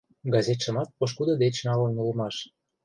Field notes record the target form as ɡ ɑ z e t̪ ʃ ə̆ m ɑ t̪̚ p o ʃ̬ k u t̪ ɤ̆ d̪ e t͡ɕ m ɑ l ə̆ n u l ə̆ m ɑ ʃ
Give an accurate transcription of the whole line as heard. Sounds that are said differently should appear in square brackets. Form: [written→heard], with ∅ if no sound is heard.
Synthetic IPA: ɡ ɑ z e t̪ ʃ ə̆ m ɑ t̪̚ p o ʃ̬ k u [t̪→d̪] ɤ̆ d̪ e t͡ɕ [m→n] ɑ l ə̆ n u l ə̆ m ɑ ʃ